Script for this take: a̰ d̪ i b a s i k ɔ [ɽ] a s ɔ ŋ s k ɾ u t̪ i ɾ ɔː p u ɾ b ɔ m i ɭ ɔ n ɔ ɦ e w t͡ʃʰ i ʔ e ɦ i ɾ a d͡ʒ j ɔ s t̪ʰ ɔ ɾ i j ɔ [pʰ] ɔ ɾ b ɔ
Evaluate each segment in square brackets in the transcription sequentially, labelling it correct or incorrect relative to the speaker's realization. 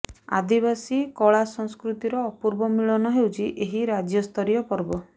incorrect: ɭ, incorrect: p

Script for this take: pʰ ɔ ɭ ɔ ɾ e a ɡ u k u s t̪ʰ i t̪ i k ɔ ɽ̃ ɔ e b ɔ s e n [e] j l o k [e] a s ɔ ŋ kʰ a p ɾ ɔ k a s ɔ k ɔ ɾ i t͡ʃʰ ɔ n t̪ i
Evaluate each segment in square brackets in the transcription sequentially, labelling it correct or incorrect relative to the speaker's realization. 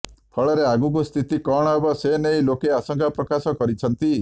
correct, correct

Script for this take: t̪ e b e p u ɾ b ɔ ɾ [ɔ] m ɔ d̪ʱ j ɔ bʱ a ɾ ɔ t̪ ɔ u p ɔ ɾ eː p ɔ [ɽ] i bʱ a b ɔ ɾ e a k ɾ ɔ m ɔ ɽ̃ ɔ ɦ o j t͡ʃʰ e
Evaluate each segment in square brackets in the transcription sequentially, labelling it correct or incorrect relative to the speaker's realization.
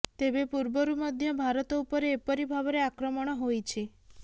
incorrect: u, incorrect: ɾ

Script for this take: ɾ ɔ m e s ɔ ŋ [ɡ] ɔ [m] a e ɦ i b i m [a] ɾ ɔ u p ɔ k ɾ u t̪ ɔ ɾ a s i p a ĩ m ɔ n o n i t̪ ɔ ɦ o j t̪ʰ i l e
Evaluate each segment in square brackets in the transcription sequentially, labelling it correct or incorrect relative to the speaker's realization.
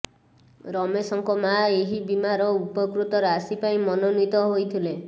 incorrect: k, correct, correct

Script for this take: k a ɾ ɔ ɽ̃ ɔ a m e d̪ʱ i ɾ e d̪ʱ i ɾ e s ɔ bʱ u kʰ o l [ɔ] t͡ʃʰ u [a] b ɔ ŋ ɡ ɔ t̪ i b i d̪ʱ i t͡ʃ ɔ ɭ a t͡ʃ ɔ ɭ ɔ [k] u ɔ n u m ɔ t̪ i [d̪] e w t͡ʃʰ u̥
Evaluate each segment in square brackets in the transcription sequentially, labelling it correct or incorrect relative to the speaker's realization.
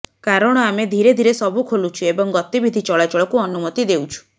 incorrect: u, incorrect: e, correct, correct

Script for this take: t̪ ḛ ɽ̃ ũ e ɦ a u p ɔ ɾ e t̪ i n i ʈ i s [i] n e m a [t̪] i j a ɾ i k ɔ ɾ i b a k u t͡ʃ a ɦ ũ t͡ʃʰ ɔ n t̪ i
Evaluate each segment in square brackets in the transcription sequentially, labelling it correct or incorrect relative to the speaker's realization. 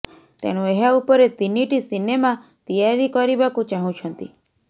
correct, correct

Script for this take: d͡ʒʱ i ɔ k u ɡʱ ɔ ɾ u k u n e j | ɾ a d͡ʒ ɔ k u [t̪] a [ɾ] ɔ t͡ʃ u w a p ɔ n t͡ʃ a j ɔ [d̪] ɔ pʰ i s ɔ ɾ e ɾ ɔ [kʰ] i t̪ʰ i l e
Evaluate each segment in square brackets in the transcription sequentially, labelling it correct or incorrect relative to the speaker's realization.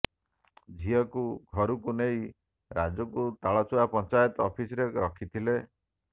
correct, incorrect: ɭ, incorrect: t̪, correct

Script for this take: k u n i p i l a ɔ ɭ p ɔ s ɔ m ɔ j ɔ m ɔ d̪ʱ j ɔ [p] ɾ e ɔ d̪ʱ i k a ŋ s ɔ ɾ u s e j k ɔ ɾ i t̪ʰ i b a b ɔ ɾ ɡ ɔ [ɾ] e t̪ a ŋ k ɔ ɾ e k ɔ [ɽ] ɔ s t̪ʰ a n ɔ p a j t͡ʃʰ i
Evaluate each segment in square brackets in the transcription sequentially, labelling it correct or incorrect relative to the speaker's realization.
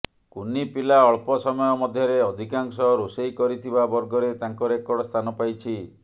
incorrect: none, correct, correct

